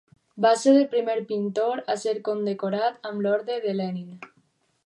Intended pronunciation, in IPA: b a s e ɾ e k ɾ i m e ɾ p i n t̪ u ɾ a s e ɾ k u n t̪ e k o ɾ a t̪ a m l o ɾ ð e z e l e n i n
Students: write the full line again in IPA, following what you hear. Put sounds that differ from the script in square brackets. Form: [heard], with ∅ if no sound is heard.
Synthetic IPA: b a s e ɾ e [p] ɾ i m e ɾ p i n t̪ [o] ɾ a s e ɾ k [o] n [d̪] e k o ɾ a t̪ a m l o ɾ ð e [ð] e l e n i n